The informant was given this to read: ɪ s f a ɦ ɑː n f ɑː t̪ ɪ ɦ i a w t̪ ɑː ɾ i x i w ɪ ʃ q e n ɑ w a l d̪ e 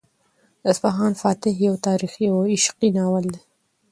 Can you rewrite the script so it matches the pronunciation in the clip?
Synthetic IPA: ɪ s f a ɦ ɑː n f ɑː t̪ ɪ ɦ j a w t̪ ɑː ɾ i x i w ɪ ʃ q i n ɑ w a l d̪ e